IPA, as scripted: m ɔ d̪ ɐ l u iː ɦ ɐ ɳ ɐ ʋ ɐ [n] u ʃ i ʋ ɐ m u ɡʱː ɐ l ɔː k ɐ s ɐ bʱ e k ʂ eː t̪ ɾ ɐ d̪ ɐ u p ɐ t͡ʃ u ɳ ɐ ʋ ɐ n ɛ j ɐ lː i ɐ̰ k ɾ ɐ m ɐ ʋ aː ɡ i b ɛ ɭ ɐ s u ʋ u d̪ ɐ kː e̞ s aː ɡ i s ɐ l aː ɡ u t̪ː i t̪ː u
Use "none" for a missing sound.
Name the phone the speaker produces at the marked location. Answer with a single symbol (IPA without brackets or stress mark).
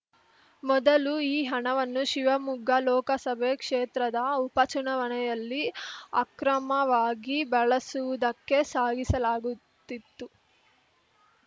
nː